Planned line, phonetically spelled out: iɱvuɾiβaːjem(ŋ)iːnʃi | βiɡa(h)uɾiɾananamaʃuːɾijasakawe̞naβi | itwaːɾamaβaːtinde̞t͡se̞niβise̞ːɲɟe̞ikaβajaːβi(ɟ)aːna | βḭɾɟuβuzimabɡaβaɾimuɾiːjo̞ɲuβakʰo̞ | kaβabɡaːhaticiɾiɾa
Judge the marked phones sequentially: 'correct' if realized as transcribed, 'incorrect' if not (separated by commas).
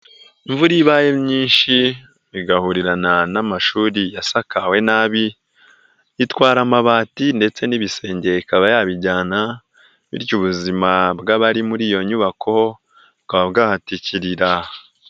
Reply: incorrect, correct, correct